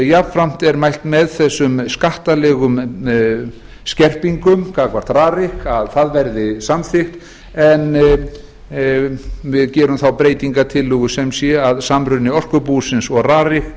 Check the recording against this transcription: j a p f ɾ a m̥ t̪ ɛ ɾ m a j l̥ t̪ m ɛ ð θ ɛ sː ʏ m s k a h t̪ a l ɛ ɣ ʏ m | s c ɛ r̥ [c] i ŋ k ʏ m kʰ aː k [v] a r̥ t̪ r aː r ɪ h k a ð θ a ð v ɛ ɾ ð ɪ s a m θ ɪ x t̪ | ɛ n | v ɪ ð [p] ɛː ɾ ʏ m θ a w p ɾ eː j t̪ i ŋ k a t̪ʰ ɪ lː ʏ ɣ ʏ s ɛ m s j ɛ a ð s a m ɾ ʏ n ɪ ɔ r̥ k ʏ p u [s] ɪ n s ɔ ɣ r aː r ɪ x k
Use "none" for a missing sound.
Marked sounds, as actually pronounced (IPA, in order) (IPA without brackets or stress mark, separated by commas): p, v, c, s